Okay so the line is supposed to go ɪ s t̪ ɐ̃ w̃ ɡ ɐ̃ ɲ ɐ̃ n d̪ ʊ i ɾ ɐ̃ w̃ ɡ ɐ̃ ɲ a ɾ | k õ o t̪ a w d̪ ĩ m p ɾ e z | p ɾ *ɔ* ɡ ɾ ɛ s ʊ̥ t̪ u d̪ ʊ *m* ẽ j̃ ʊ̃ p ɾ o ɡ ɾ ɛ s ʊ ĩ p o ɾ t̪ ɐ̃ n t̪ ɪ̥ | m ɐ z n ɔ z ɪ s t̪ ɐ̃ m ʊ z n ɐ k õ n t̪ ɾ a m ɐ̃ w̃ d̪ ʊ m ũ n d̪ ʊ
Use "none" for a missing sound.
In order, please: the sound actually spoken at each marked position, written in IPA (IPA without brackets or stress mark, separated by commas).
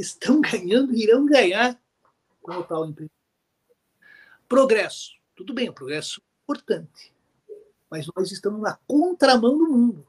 o, b